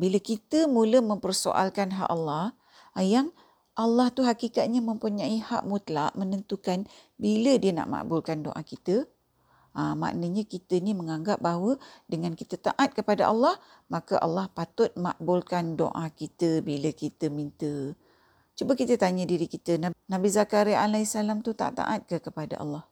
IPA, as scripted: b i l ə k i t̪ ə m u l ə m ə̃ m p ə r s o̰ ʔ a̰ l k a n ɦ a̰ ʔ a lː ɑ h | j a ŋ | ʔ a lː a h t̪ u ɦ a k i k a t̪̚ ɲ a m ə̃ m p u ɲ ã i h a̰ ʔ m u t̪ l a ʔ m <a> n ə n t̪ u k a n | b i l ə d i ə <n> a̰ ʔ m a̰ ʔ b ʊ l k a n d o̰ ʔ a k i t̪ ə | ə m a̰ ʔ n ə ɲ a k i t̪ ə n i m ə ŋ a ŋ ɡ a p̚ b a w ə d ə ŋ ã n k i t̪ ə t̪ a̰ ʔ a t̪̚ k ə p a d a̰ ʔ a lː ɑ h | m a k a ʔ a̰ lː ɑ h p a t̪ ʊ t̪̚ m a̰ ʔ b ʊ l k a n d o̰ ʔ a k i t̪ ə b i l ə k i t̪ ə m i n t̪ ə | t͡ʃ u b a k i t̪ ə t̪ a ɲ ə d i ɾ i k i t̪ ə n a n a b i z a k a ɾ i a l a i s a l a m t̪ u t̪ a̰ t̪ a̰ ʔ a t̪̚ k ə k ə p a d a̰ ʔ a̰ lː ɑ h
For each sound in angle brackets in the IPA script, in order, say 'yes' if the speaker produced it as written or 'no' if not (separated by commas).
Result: no, yes